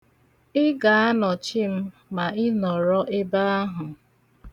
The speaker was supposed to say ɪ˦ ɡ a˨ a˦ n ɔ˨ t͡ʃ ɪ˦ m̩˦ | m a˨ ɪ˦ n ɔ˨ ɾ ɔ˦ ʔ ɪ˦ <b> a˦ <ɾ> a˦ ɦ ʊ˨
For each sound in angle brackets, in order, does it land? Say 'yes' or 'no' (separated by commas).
yes, no